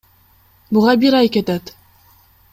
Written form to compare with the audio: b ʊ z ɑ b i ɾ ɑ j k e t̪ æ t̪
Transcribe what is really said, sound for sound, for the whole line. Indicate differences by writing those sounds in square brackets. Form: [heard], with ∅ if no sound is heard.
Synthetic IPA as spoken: b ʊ [ʁ] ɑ b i ɾ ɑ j k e t̪ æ t̪